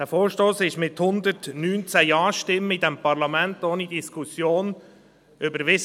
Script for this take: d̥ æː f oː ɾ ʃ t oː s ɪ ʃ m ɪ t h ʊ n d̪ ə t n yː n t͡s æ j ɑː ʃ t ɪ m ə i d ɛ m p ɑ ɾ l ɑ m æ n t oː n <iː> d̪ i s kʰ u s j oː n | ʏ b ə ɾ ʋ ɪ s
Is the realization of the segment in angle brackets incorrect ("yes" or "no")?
yes